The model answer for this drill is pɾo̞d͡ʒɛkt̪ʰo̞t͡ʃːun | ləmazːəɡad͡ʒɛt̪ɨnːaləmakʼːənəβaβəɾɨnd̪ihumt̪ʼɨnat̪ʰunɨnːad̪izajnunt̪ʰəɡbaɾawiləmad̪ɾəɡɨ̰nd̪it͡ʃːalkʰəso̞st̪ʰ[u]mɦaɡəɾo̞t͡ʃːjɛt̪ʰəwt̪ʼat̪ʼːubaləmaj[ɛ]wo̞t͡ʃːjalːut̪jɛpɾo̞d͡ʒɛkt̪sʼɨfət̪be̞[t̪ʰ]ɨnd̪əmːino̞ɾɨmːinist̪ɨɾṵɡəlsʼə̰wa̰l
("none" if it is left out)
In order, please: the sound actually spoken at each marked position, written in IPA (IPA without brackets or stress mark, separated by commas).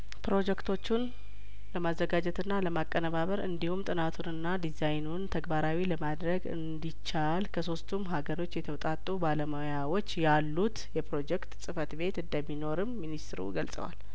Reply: u, a, t̪